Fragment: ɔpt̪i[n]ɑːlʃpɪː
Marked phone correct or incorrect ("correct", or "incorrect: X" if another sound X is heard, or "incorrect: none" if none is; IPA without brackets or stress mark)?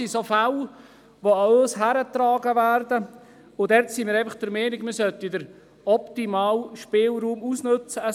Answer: incorrect: m